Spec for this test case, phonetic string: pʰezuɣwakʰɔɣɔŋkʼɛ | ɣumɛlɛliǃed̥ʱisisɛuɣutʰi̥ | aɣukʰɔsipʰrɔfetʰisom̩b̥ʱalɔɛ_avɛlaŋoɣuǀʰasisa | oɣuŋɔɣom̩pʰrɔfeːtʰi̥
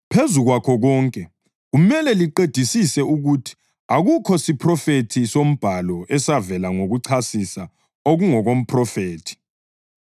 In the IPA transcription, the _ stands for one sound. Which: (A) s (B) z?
A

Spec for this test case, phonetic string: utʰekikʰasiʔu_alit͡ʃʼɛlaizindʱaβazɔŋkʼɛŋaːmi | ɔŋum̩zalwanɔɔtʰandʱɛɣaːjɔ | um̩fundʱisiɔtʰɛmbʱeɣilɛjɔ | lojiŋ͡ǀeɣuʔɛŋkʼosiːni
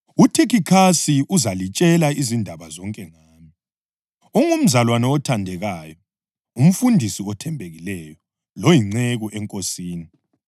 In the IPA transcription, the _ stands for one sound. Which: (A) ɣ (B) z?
B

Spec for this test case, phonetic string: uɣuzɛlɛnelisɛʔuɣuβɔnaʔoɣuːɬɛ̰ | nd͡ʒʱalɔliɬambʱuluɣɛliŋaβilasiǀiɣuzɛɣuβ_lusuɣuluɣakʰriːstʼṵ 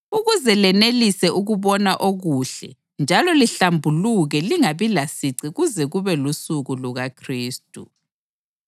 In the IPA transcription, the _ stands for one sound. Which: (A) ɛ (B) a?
A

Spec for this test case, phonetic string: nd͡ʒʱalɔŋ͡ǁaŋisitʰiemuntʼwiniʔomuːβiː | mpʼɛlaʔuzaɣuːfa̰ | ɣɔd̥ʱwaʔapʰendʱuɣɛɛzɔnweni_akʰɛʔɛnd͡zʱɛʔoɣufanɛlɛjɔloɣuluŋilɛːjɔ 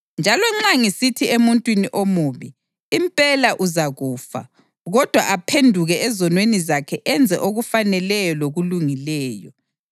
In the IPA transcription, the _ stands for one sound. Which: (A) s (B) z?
B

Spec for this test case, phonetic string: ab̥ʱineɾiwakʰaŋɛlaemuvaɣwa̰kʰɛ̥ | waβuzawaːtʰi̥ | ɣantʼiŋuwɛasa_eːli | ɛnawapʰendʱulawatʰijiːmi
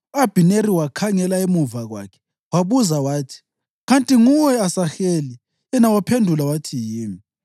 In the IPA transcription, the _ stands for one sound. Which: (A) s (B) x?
B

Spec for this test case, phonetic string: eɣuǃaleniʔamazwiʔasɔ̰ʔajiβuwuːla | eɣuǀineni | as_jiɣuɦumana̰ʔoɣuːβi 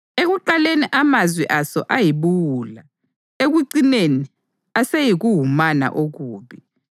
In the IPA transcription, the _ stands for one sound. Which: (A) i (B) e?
B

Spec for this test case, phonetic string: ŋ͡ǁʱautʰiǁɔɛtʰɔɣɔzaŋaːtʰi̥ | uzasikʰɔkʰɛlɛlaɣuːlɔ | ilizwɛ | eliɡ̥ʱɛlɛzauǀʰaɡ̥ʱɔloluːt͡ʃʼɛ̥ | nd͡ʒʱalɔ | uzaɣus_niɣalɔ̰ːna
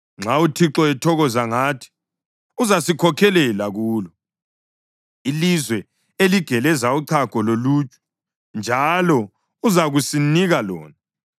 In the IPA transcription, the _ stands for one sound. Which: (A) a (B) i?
B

